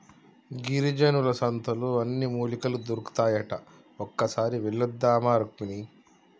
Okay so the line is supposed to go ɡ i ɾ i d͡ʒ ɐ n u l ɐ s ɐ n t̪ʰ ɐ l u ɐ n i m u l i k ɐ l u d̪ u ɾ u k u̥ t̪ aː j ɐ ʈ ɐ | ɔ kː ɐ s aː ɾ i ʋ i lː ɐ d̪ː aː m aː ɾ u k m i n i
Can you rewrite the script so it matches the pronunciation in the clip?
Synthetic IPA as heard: ɡ i ɾ i d͡ʒ ɐ n u l ɐ s ɐ n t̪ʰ ɐ l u ɐ nː i m uː l i k ɐ l u d̪ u ɾ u k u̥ t̪ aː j ɐ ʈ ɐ | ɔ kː ɐ s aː ɾ i ʋ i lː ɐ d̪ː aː m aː ɾ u k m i n i